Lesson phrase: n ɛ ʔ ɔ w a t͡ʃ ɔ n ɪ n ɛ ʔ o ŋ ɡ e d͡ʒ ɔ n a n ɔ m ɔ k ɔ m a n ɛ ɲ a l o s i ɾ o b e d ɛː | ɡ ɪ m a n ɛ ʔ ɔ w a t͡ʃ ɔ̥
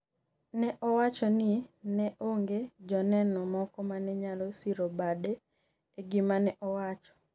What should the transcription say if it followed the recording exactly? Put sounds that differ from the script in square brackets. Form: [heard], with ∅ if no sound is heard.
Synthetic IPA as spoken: n ɛ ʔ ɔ w a t͡ʃ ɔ n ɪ n ɛ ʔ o ŋ ɡ e d͡ʒ ɔ n [ɛ] n ɔ m ɔ k ɔ m a n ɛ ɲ a l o s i ɾ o b [a] d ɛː | ɡ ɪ m a n ɛ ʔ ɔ w a t͡ʃ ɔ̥